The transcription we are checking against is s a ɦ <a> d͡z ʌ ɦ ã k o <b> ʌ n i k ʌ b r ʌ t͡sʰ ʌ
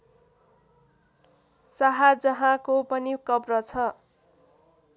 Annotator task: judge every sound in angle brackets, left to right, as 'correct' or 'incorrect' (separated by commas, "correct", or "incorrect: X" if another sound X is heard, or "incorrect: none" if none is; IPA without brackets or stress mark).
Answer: correct, incorrect: p